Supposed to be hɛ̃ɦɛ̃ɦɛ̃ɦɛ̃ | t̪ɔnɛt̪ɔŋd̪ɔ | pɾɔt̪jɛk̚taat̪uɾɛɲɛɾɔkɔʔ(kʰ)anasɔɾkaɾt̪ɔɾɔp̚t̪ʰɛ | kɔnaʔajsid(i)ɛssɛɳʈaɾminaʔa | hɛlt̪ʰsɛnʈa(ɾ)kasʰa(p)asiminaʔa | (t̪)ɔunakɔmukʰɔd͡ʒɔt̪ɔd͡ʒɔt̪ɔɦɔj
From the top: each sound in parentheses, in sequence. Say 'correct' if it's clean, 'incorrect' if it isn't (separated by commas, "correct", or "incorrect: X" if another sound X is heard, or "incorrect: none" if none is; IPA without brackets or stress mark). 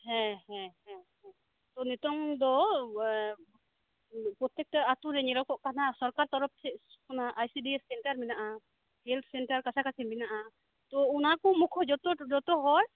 incorrect: k, correct, correct, incorrect: k, correct